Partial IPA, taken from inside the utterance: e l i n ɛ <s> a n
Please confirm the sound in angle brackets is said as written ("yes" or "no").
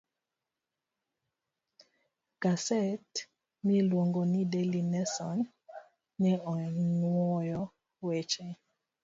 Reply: yes